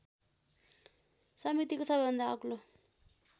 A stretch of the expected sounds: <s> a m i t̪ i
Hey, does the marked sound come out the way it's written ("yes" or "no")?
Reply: yes